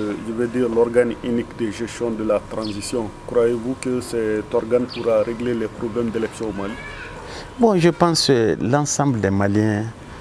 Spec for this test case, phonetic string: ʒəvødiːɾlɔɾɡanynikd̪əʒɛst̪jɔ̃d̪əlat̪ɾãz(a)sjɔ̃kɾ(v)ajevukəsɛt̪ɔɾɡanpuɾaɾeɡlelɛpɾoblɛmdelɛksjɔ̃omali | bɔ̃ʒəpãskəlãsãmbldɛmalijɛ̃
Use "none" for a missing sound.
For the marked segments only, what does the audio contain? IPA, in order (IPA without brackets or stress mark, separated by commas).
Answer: i, w